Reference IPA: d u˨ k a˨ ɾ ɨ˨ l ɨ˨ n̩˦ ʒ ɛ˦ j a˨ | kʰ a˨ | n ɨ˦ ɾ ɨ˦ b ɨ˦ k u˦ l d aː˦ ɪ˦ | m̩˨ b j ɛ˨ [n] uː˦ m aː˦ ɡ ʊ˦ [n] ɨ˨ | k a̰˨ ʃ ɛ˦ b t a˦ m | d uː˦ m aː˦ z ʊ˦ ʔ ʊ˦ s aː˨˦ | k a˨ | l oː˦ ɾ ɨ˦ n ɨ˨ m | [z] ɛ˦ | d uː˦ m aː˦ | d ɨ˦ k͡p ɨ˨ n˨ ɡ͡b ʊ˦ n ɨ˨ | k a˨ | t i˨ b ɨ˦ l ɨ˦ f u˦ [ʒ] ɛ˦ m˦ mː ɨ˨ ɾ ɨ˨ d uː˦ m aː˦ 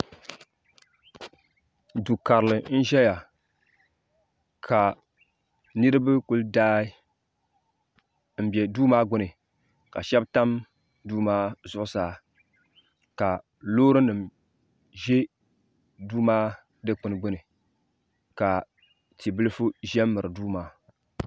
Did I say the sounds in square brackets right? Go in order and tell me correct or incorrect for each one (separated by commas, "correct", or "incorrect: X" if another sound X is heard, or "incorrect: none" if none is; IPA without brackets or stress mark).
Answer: incorrect: d, correct, incorrect: ʒ, correct